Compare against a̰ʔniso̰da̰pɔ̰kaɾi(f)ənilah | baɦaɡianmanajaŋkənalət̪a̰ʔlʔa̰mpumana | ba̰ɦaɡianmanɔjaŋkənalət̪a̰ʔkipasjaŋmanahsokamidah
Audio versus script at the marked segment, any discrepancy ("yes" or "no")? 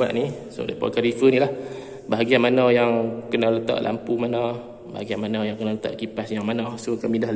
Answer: no